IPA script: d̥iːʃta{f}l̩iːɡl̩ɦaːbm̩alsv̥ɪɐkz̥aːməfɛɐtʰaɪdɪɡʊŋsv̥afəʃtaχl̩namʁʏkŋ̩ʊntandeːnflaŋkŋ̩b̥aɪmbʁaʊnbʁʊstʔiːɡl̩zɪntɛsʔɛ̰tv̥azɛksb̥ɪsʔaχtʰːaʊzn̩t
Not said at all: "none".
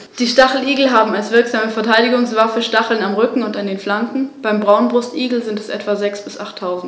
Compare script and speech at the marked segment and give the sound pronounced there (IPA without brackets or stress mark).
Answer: χ